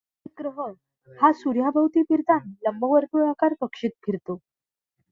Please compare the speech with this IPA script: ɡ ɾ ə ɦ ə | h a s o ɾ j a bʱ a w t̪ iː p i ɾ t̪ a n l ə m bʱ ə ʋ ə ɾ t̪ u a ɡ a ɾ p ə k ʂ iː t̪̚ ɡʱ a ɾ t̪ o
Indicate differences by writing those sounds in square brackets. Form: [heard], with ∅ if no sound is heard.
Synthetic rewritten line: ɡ ɾ ə ɦ ə | h a s [u] ɾ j a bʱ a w t̪ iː p i ɾ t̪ a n l ə m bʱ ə ʋ ə ɾ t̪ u a [k] a ɾ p ə k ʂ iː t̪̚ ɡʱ [i] ɾ t̪ o